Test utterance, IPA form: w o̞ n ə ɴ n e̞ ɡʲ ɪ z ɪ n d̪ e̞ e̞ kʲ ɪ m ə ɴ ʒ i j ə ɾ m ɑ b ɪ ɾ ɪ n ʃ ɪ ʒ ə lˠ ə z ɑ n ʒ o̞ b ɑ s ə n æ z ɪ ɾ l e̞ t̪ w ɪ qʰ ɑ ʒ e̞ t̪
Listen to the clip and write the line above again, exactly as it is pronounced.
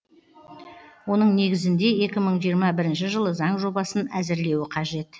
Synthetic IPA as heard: w o̞ n ə ɴ n e̞ ɡʲ ɪ z ɪ n d̪ e̞ e̞ kʲ ɪ m ə ɴ ʒ i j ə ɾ m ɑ b ɪ ɾ ɪ n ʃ ɪ ʒ ə lˠ ə z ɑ ɴ ʒ o̞ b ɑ s ə n æ z ɪ ɾ l e̞ w ɪ qʰ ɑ ʒ e̞ t̪